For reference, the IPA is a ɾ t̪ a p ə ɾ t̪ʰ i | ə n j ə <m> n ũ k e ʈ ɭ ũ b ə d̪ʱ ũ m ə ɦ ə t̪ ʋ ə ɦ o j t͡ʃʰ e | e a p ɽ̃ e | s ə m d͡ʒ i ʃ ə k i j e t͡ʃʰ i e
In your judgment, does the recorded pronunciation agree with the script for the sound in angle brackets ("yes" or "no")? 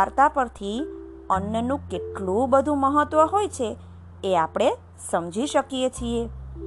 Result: no